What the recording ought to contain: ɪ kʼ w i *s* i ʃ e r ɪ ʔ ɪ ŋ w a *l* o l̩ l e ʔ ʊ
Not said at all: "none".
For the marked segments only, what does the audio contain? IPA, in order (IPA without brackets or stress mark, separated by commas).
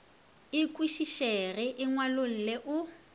ʃ, l